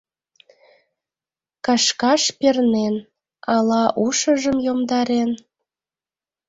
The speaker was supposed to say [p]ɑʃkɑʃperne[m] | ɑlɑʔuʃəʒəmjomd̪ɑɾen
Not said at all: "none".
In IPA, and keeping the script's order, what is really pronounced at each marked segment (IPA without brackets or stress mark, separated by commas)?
k, n